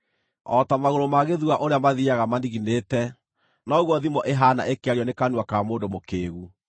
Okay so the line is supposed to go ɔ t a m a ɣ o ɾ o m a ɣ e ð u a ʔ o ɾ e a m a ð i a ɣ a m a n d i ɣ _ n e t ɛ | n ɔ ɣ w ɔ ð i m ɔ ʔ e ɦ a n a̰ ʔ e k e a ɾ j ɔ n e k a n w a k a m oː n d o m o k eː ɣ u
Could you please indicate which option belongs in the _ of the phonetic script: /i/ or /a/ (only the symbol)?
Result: i